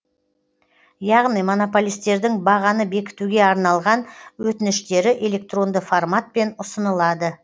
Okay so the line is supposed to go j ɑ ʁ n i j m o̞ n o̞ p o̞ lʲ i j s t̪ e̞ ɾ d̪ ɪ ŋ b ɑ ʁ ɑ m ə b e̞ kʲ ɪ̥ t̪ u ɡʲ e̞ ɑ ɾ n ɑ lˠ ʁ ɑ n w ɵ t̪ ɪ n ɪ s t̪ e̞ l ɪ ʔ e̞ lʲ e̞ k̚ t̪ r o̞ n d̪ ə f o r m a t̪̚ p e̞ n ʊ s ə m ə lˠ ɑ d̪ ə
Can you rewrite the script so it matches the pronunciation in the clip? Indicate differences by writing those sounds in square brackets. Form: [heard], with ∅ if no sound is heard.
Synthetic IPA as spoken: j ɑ ʁ n i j m o̞ n o̞ p o̞ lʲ i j s t̪ e̞ ɾ d̪ ɪ ŋ b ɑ ʁ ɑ [n] ə b e̞ kʲ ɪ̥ t̪ u ɡʲ e̞ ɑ ɾ n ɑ lˠ ʁ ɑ n w ɵ t̪ ɪ n ɪ [ʃ] t̪ e̞ [ɾ] ɪ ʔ e̞ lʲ e̞ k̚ t̪ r o̞ n d̪ ə f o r m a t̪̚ p e̞ n ʊ s ə [n] ə lˠ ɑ d̪ ə